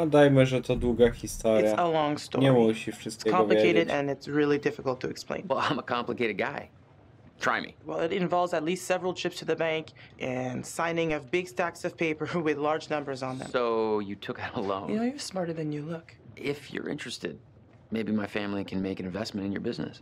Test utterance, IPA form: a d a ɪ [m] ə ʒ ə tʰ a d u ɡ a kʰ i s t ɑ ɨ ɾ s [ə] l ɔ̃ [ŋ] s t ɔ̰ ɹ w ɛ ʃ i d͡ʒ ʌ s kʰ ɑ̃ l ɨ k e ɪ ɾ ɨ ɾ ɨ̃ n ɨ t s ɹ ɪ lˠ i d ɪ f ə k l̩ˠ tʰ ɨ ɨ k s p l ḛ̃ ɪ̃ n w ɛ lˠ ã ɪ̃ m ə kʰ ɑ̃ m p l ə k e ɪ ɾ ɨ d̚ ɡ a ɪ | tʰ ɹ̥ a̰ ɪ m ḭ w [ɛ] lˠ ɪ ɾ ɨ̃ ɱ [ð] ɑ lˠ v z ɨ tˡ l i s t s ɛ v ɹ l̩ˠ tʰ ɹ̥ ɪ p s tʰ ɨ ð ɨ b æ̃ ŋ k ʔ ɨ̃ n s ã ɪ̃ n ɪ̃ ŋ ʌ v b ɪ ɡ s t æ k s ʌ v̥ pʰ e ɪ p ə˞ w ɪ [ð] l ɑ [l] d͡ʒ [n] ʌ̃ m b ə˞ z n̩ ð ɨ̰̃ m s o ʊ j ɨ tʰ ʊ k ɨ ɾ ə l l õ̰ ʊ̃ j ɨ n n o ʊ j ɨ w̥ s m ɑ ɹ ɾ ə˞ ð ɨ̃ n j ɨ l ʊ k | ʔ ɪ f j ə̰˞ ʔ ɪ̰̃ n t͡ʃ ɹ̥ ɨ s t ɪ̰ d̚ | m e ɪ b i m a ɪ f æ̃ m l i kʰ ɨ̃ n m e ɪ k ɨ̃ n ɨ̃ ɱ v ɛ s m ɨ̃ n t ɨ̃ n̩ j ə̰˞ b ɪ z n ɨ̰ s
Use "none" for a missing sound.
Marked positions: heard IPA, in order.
m, ə, ŋ, ɛ, v, ð, ɹ, n

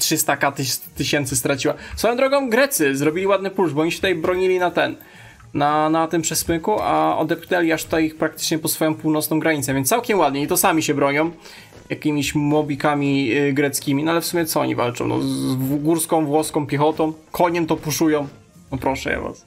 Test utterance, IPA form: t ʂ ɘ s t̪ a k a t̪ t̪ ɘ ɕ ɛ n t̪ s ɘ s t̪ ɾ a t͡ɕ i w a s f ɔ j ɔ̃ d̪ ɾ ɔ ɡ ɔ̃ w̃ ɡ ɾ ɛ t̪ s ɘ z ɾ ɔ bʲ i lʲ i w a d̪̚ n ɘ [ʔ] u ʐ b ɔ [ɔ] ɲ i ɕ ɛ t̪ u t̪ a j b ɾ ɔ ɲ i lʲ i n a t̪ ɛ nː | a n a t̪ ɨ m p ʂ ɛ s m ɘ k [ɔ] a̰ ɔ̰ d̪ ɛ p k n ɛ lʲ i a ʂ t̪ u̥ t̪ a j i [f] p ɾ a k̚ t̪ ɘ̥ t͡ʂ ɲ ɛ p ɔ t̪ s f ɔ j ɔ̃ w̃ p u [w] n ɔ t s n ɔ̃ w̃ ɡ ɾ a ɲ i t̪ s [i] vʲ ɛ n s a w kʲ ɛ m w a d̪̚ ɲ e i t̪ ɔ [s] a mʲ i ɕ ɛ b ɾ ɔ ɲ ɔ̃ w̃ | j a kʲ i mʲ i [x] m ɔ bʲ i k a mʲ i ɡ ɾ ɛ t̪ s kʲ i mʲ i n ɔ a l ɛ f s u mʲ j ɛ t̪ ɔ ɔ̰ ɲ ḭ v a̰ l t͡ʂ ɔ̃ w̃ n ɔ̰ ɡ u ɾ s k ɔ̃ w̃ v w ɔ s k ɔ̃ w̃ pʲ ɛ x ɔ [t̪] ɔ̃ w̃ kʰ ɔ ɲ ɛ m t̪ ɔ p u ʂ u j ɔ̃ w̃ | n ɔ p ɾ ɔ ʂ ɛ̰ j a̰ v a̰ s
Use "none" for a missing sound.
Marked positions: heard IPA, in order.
p, ɔ, u, x, w, ɛ, s, ɕ, t̪

